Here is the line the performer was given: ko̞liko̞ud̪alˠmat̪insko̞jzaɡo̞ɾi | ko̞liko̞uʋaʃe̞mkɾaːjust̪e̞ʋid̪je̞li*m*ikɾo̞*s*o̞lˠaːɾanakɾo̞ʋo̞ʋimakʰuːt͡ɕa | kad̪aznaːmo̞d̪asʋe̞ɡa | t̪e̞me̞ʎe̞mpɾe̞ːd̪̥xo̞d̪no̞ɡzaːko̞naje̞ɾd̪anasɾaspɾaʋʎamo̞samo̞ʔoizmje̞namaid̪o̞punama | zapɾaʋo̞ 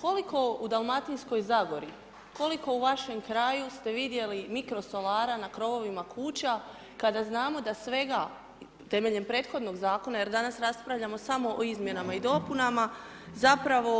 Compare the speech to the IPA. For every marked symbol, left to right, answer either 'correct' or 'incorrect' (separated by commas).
correct, correct